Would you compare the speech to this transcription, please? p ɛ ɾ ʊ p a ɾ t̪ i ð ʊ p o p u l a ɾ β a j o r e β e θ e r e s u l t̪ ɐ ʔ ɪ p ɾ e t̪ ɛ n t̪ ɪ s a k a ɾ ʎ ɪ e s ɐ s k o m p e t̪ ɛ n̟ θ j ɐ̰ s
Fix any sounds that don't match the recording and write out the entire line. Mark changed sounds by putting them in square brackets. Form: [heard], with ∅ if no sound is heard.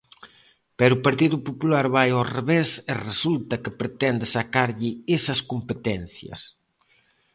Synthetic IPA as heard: p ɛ ɾ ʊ p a ɾ t̪ i ð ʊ p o p u l a ɾ β a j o r e β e [s] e r e s u l t̪ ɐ [k] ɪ p ɾ e t̪ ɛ n [d̪] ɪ s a k a ɾ ʎ ɪ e s ɐ s k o m p e t̪ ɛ n̟ θ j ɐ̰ s